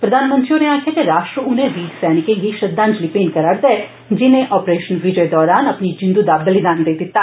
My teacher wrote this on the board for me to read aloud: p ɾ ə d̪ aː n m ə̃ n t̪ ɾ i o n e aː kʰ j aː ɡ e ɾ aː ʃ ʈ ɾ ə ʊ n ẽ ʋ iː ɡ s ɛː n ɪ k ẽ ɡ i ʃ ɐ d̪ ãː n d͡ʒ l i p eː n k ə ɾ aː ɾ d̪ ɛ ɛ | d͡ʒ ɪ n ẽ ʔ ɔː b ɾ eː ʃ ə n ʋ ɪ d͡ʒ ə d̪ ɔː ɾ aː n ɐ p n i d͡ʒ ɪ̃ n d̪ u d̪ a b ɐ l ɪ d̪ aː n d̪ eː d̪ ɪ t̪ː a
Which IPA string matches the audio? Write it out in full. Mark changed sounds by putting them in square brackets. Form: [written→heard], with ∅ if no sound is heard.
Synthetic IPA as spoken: p ɾ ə d̪ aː n m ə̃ n t̪ ɾ i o n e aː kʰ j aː [ɡ→k] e ɾ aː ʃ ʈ ɾ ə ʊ n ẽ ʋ iː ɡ s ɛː n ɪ k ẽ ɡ i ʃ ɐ d̪ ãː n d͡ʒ l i p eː n k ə ɾ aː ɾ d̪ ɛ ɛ | d͡ʒ ɪ n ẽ ʔ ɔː [b→p] ɾ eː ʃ ə n ʋ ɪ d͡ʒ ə d̪ ɔː ɾ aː n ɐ p n i d͡ʒ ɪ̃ n d̪ u d̪ a b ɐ l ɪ d̪ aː n d̪ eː d̪ ɪ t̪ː a